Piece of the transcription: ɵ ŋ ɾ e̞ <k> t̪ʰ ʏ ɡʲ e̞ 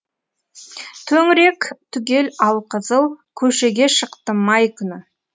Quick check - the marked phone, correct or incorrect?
correct